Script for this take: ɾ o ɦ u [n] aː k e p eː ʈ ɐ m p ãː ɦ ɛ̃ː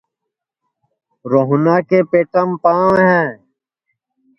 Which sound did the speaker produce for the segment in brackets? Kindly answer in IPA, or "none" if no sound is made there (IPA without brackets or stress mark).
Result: n